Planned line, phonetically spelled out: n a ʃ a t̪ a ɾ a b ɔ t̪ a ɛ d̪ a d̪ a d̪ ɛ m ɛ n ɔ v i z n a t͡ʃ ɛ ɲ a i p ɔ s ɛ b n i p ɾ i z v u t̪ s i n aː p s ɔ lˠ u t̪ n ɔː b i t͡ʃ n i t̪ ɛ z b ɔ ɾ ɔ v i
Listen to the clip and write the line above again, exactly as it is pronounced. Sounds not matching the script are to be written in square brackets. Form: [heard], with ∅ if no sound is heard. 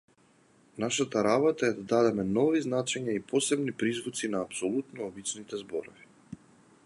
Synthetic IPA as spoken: n a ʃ a t̪ a ɾ a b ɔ t̪ a ɛ d̪ a d̪ a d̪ ɛ m ɛ n ɔ v i z n a t͡ʃ ɛ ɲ a i p ɔ s ɛ b n i p ɾ i z v u t̪ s i n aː p s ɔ lˠ u t̪ n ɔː b i t͡ʃ n i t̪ ɛ z b ɔ ɾ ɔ v i